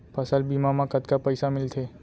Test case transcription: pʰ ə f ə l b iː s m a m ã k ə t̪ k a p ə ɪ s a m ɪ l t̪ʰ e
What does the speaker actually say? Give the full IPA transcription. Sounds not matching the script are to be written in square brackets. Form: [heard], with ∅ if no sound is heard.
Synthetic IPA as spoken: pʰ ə [s] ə l b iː [∅] m a m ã k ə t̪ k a p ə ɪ s a m ɪ l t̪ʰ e